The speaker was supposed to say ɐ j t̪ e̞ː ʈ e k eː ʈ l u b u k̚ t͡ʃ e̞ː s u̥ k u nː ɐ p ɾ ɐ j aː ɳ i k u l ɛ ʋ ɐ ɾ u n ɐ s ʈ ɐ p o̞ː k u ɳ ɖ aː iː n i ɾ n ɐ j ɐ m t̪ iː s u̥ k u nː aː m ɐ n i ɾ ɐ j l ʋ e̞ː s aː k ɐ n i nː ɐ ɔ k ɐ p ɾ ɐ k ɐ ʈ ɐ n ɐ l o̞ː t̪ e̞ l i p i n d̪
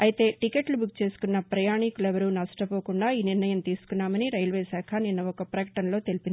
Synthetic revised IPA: ɐ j t̪ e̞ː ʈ i k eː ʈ l u b u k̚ t͡ʃ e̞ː s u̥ k u nː ɐ p ɾ ɐ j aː ɳ i k u l ɛ ʋ ɐ ɾ u n ɐ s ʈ ɐ p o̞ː k u ɳ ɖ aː iː n i ɾ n ɐ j ɐ m t̪ iː s u̥ k u nː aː m ɐ n i ɾ ɐ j l ʋ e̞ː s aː kʰ ɐ n i nː ɐ ɔ k ɐ p ɾ ɐ k ɐ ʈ ɐ n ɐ l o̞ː t̪ e̞ l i p i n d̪